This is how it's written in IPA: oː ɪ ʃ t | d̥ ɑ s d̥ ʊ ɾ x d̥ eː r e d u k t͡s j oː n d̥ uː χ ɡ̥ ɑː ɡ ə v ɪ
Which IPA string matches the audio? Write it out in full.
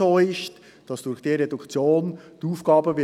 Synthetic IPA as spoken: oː ɪ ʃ t | d̥ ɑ s d̥ ʊ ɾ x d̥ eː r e d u k t͡s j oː n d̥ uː f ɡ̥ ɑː b ə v ɪ